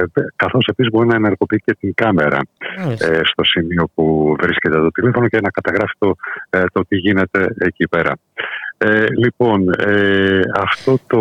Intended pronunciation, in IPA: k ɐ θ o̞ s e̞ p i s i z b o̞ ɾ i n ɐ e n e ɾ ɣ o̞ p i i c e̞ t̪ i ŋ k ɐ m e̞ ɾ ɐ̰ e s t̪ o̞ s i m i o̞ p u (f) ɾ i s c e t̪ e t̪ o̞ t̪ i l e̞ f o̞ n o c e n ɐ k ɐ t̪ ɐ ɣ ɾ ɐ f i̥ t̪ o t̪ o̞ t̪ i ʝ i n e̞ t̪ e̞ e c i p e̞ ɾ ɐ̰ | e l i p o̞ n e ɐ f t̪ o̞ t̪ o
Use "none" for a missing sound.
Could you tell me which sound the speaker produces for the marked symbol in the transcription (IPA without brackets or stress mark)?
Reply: v